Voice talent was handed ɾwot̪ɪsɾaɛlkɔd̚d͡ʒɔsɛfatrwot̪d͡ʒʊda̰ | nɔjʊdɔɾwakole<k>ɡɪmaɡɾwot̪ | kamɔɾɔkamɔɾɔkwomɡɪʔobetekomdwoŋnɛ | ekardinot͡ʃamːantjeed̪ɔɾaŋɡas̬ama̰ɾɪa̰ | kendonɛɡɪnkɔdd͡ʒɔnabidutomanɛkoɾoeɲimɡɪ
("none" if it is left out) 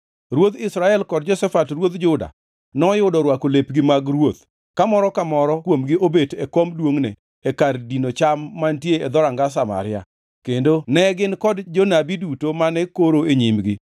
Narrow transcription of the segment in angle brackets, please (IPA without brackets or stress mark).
p